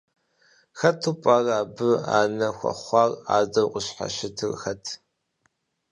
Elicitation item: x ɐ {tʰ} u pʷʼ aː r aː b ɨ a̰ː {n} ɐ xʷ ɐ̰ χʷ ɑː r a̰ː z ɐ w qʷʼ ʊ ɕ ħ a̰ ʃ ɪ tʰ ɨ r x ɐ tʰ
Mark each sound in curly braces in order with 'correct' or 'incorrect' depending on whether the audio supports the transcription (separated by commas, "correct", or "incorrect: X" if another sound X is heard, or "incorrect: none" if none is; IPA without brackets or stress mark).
correct, correct